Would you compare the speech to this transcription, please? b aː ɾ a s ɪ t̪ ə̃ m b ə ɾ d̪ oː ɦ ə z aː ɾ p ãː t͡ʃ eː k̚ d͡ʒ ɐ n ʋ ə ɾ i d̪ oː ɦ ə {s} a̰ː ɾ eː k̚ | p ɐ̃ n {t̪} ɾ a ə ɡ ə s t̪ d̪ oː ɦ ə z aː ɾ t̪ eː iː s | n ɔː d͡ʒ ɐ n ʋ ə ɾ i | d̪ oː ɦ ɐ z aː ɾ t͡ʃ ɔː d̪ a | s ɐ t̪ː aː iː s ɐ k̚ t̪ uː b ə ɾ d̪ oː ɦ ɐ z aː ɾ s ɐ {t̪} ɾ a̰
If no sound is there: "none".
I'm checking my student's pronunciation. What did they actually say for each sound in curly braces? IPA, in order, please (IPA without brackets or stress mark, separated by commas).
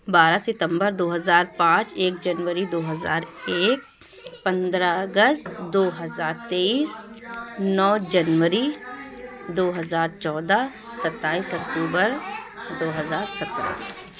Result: z, d̪, t̪